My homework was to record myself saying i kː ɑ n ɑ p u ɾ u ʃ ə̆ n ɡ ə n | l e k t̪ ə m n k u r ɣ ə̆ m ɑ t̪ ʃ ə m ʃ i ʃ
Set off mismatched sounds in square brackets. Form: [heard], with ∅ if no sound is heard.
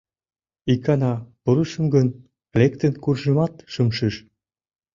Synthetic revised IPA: i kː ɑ n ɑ p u ɾ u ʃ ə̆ [m] ɡ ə n | l e k t̪ ə [∅] n k u r [ʒ] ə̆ m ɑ t̪ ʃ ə m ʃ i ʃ